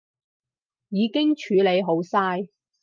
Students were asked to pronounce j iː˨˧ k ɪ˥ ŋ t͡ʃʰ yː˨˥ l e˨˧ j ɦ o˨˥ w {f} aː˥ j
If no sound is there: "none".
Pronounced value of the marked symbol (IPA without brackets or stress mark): s